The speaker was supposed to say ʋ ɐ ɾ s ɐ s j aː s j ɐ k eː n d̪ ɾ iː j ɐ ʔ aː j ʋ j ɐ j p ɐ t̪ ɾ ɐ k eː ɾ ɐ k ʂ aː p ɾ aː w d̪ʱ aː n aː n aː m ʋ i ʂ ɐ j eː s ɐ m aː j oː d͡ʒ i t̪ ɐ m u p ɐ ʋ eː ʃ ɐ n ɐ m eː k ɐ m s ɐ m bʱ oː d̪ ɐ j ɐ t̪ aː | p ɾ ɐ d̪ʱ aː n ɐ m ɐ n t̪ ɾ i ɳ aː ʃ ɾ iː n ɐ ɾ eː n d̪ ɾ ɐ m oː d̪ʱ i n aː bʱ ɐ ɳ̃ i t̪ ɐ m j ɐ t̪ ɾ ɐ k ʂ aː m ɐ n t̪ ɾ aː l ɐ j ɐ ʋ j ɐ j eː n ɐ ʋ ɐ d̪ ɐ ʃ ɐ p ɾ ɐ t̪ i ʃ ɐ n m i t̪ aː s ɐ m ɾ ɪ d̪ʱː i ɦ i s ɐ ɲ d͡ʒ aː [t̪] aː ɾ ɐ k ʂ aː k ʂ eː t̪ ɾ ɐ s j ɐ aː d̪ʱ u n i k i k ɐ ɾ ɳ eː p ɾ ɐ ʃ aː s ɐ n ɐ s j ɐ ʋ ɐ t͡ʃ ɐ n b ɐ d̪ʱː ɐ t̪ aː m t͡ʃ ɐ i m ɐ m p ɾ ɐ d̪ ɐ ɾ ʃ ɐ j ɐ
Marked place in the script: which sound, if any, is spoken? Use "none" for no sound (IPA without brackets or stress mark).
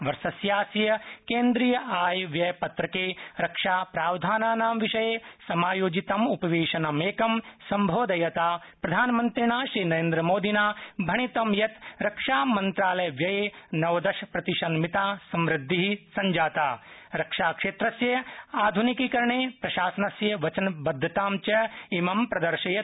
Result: t̪